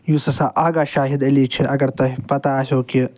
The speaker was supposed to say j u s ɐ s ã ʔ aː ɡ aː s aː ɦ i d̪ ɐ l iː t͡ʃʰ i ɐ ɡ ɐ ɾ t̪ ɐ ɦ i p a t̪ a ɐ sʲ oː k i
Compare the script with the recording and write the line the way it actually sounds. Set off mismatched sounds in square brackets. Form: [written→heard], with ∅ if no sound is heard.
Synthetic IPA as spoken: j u s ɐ s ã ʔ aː ɡ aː [s→ʃ] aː ɦ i d̪ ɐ l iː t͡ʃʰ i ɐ ɡ ɐ ɾ t̪ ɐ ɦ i p [a→ɐ] t̪ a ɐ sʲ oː k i

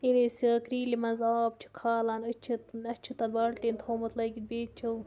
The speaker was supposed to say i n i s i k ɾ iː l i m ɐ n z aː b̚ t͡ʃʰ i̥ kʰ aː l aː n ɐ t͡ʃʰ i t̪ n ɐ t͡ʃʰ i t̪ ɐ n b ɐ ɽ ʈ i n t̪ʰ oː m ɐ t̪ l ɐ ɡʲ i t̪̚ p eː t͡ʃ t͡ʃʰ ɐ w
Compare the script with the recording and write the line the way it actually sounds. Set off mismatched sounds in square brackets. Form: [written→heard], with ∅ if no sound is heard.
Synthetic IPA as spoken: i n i s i k ɾ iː l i m ɐ n z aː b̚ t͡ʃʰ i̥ kʰ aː l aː n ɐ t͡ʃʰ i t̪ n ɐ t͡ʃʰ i t̪ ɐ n b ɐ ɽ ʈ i n t̪ʰ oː m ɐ t̪ l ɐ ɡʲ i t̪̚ [p→b] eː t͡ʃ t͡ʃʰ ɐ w

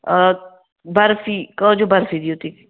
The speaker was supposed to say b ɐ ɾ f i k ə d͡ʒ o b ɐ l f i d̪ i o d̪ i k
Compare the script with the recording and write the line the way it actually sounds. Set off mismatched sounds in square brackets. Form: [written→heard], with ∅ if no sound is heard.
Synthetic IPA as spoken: b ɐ ɾ f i k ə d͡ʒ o b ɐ [l→ɾ] f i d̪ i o [d̪→t̪] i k

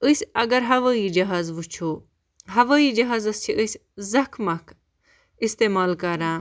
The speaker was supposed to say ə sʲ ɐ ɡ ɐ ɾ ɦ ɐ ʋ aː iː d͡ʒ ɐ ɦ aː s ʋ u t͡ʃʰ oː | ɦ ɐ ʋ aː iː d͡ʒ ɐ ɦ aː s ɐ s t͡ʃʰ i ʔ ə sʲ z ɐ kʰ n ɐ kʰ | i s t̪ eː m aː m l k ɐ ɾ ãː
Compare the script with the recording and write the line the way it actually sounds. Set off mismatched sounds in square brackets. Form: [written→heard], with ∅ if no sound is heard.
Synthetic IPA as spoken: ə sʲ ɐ ɡ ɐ ɾ ɦ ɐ ʋ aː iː d͡ʒ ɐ ɦ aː [s→z] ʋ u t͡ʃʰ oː | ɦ ɐ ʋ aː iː d͡ʒ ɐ ɦ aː [s→z] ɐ s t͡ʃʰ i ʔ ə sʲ z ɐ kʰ [n→m] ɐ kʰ | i s t̪ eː m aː [m→∅] l k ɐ ɾ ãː

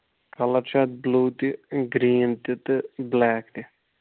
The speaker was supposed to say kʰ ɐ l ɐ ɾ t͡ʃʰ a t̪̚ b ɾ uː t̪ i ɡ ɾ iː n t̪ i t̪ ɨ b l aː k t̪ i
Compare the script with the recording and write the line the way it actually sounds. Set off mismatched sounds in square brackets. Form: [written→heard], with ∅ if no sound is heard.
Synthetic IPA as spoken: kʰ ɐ l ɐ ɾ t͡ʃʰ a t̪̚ b [ɾ→l] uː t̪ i ɡ ɾ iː n t̪ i t̪ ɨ b l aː k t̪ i

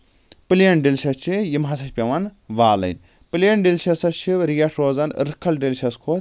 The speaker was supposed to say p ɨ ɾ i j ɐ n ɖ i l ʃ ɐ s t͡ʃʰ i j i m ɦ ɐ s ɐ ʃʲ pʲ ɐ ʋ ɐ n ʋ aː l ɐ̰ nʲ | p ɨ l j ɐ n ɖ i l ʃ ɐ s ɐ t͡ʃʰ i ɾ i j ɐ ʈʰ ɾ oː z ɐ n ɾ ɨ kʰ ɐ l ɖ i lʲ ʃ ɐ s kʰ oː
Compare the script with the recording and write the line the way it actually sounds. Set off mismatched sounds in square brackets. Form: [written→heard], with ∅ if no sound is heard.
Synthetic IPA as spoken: p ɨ [ɾ→l] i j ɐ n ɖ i l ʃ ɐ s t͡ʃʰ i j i m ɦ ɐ s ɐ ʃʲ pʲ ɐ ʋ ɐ n ʋ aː l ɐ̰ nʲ | p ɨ l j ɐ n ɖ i l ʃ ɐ s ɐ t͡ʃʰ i ɾ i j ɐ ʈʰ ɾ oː z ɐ n ɾ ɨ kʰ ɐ l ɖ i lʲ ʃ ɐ s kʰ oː

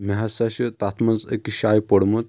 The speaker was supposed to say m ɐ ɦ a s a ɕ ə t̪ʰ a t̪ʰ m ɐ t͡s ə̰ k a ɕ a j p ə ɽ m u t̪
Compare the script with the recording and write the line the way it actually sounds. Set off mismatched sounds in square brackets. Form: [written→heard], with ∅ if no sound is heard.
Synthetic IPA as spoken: m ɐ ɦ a s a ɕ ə [t̪ʰ→t̪] a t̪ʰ m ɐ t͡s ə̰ k [a→i] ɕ a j p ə ɽ m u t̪

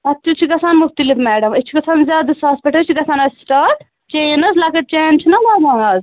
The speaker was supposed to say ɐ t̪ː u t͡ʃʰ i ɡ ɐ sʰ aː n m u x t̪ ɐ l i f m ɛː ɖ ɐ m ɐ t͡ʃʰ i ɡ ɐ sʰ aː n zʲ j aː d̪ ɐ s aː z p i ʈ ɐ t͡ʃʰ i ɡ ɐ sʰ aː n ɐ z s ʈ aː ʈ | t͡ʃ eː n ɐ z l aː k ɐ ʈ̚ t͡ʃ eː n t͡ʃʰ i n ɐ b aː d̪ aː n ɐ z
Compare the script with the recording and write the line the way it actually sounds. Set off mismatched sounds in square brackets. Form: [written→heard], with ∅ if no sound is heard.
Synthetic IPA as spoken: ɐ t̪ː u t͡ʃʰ i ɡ ɐ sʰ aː n m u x t̪ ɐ l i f m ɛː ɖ ɐ m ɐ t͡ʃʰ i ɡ ɐ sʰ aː n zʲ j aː d̪ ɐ s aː [z→s] p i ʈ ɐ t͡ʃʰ i ɡ ɐ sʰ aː n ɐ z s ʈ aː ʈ | t͡ʃ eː n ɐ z l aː k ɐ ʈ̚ t͡ʃ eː n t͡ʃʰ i n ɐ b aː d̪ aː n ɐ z

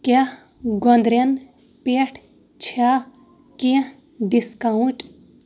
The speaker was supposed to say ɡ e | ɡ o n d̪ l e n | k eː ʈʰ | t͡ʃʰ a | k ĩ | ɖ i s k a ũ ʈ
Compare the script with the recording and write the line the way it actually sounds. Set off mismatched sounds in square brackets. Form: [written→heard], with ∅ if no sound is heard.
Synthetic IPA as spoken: [ɡ→k] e | ɡ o n d̪ [l→ɾ] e n | [k→p] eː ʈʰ | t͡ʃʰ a | k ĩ | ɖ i s k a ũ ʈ

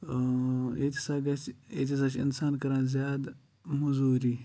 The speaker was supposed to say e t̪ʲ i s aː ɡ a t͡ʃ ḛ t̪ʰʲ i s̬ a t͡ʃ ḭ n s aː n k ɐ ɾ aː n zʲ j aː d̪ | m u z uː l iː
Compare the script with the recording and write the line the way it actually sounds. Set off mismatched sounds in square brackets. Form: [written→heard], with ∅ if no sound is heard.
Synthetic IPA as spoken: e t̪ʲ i s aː ɡ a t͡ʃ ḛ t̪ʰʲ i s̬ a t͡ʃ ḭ n s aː n k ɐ ɾ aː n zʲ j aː d̪ | m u z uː [l→ɾ] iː

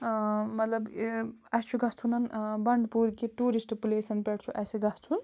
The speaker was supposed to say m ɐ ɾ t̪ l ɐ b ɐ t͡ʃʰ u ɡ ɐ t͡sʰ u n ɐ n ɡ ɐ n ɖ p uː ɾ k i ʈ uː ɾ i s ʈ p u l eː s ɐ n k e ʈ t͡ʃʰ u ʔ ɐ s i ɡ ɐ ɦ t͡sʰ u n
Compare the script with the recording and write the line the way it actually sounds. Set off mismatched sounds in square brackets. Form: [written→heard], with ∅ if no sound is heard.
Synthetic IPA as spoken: m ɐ [ɾ→∅] t̪ l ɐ b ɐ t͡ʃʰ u ɡ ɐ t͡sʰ u n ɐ n [ɡ→b] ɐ [n→ɳ] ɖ p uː ɾ k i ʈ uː ɾ i s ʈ p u l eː s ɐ n [k→p] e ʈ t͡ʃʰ u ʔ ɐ s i ɡ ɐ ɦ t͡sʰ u n

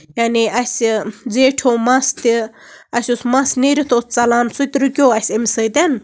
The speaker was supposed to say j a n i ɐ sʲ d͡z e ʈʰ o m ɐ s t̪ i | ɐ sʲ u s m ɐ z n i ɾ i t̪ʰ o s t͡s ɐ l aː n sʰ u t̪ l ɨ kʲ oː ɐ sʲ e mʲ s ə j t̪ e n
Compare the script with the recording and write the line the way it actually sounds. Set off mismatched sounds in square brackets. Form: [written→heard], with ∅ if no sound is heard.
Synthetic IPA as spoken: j a n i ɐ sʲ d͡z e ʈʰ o m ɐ s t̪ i | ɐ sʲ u s m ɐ [z→s] n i ɾ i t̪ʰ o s t͡s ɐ l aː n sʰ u t̪ [l→ɾ] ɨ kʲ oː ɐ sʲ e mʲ s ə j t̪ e n

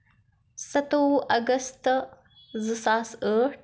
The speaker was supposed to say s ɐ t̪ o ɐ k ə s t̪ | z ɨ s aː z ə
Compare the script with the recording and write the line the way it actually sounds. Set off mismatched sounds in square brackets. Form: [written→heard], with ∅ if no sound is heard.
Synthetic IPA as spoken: s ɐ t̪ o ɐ [k→ɡ] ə s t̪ | z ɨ s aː [z→s] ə

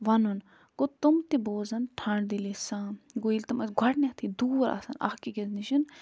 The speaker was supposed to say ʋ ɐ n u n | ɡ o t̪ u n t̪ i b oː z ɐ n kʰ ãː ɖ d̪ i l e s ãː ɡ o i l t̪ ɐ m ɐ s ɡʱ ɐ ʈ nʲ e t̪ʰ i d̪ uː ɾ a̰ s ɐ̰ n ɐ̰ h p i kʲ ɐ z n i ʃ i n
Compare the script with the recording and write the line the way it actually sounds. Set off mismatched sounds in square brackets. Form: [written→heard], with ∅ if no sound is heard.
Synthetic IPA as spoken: ʋ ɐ n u n | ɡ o t̪ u [n→m] t̪ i b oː z ɐ n [kʰ→ʈʰ] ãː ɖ d̪ i l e s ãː ɡ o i l t̪ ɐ m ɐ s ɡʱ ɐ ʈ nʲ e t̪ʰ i d̪ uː ɾ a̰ s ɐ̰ n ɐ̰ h [p→k] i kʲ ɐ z n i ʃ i n

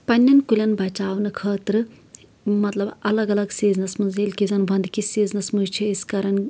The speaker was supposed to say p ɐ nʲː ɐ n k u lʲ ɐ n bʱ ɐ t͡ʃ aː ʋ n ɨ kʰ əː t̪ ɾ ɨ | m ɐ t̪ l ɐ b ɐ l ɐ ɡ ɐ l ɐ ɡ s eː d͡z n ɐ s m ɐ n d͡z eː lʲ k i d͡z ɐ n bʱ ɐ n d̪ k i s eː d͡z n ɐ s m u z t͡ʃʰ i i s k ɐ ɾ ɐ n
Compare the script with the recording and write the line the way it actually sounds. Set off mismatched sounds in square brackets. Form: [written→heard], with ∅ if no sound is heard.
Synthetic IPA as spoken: p ɐ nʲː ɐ n k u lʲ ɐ n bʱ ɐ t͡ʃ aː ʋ n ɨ kʰ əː t̪ ɾ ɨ | m ɐ t̪ l ɐ b ɐ l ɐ ɡ ɐ l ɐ ɡ s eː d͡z n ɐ s m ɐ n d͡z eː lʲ k i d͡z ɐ n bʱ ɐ n d̪ k i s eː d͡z n ɐ s m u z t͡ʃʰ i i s k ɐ ɾ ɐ n

